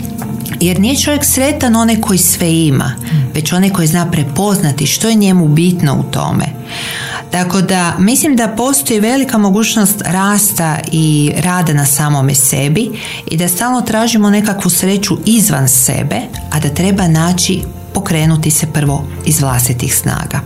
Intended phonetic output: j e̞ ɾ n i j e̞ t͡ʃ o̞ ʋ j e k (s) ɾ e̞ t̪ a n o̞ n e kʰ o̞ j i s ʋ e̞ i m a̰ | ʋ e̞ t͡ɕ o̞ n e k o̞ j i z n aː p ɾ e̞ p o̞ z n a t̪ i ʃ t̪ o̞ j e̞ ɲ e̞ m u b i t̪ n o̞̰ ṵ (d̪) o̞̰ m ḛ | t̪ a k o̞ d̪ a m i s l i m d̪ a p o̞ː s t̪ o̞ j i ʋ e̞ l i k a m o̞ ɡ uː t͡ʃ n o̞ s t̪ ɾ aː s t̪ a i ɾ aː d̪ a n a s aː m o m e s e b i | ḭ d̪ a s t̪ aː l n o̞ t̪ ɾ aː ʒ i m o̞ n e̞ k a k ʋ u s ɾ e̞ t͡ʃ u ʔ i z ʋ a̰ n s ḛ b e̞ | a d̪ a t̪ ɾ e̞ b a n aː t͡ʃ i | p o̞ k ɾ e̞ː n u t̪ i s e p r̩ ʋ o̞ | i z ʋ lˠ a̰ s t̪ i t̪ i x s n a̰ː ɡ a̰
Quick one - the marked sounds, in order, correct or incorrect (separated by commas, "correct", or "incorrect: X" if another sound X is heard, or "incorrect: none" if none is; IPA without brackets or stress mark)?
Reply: correct, incorrect: t̪